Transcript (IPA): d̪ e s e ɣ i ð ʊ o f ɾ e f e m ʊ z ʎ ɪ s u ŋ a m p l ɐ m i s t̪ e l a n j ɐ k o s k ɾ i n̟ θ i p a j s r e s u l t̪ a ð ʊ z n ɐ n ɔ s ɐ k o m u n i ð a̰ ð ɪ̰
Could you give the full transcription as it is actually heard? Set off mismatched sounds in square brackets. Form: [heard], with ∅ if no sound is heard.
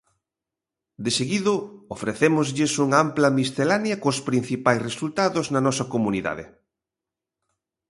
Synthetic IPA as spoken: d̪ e s e ɣ i ð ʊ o f ɾ e [θ] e m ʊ z ʎ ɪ s u ŋ a m p l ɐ m i s t̪ e l a n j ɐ k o s [p] ɾ i n̟ θ i p a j s r e s u l t̪ a ð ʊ z n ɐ n ɔ s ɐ k o m u n i ð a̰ ð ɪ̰